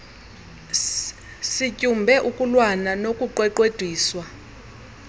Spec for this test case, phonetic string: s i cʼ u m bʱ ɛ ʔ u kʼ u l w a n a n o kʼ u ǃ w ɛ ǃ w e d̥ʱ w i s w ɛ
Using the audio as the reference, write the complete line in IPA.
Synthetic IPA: s i cʼ u m bʱ ɛ ʔ u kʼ u l w a n a n o kʼ u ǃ w ɛ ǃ w e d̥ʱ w iː s w a